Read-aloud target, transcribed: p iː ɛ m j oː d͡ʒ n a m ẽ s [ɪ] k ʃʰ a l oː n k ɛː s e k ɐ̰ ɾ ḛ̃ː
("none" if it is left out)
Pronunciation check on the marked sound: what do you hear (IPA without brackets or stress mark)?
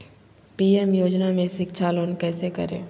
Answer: ɪ